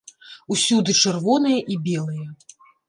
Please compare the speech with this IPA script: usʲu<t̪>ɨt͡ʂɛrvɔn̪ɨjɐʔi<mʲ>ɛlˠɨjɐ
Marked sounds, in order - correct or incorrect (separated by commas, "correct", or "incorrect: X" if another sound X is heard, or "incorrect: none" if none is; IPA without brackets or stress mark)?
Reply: incorrect: d̪, incorrect: bʲ